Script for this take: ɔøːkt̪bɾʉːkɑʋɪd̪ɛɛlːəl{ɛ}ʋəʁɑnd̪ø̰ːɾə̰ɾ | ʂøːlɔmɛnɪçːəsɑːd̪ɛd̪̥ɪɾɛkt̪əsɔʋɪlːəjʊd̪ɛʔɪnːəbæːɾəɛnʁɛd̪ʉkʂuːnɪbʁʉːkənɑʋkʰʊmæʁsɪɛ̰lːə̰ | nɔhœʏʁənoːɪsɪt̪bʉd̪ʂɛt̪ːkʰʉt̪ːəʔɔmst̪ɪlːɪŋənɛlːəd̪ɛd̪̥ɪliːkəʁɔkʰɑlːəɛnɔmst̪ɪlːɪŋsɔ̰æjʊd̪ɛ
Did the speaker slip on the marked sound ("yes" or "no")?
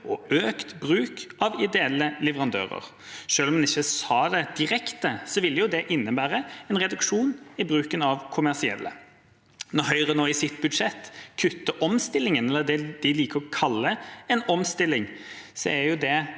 no